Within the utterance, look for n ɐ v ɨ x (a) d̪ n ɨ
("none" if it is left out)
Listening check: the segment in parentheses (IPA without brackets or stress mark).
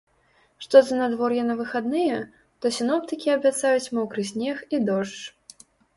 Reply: a